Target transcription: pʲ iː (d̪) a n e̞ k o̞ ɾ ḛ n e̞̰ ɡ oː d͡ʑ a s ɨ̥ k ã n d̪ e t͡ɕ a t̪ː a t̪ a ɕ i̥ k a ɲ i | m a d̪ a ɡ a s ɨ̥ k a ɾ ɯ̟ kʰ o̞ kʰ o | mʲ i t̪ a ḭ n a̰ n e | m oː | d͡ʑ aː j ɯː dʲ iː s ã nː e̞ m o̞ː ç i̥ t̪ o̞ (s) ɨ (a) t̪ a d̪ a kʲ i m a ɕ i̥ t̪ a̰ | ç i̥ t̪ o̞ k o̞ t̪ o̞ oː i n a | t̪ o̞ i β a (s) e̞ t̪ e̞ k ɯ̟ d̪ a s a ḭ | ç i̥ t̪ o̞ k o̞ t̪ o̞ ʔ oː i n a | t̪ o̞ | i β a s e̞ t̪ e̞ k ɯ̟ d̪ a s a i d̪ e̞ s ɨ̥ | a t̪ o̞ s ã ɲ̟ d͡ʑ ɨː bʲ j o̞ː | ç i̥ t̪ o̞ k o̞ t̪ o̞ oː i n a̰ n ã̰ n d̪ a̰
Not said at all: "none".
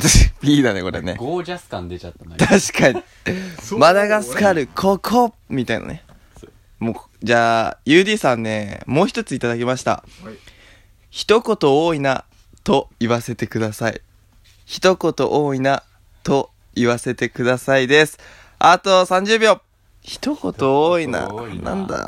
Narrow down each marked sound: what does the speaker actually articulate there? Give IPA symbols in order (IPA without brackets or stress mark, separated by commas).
d̪, t͡s, i, s